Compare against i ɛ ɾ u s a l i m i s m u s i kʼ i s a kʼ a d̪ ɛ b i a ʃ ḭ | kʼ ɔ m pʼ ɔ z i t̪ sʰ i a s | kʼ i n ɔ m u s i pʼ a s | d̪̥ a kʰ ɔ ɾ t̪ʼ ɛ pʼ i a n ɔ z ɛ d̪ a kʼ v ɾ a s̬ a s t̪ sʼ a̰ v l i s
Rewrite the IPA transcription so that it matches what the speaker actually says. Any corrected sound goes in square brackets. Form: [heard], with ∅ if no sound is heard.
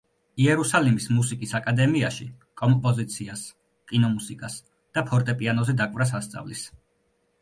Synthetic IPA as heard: i ɛ ɾ u s a l i m i s m u s i kʼ i s a kʼ a d̪ ɛ [m] i a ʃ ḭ | kʼ ɔ m pʼ ɔ z i t̪ sʰ i a s | kʼ i n ɔ m u s i [kʼ] a s | d̪̥ a [pʰ] ɔ ɾ t̪ʼ ɛ pʼ i a n ɔ z ɛ d̪ a kʼ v ɾ a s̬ a s t̪ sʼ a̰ v l i s